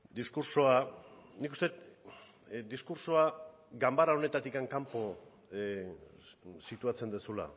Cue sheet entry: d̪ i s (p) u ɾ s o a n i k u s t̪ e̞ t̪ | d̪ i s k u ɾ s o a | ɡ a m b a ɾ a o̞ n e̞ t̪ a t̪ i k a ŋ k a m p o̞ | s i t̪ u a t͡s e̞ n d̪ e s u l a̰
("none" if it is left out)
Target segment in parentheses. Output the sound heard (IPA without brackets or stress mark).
k